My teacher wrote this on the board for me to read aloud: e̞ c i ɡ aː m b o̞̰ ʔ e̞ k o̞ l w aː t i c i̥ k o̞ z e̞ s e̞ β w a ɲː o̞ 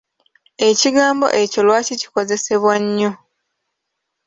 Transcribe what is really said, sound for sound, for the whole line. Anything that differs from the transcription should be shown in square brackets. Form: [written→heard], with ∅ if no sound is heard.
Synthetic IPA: e̞ c i ɡ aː m b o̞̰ ʔ e̞ [k→c] o̞ l w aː [t→c] i c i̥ k o̞ z e̞ s e̞ β w a ɲː o̞